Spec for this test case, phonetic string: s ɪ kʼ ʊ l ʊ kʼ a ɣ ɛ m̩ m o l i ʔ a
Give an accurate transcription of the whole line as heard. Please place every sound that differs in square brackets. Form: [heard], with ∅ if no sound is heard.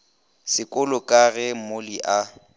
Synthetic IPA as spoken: s ɪ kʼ ʊ l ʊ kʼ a ɣ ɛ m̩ m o l i ʔ a